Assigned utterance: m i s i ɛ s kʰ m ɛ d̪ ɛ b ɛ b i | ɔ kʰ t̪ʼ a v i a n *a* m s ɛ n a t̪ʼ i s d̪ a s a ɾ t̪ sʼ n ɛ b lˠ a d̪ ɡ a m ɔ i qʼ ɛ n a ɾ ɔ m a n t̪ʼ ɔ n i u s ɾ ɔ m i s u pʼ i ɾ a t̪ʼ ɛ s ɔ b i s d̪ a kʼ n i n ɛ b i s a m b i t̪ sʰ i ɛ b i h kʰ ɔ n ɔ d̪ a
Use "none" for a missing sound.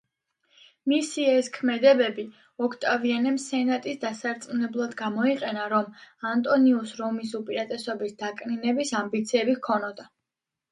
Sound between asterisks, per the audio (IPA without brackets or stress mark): ɛ